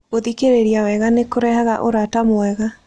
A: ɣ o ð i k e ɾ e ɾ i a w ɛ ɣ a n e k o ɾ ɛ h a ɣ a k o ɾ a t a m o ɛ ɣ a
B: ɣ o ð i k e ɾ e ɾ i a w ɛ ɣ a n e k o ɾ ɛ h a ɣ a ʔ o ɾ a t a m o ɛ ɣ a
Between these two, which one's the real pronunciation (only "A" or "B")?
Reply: B